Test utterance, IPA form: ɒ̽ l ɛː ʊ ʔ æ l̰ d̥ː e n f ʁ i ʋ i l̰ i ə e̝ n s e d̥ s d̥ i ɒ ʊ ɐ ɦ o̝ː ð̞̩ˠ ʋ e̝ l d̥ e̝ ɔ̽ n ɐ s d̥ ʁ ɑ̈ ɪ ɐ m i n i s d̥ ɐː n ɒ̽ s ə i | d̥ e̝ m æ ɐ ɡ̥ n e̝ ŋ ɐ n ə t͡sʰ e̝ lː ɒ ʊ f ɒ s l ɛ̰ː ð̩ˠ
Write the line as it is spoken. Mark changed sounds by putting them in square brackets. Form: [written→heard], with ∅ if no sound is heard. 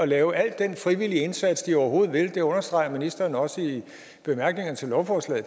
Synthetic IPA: ɒ̽ l ɛː ʊ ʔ æ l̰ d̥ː e n f ʁ i ʋ i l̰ i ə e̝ n s [e→æ] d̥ s d̥ i ɒ ʊ ɐ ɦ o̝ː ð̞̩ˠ ʋ e̝ l d̥ e̝ ɔ̽ n ɐ s d̥ ʁ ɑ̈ ɪ ɐ m i n i s d̥ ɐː n ɒ̽ s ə i | [d̥→b̥] e̝ m æ ɐ ɡ̥ n e̝ ŋ ɐ n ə t͡sʰ e̝ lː ɒ ʊ f ɒ s l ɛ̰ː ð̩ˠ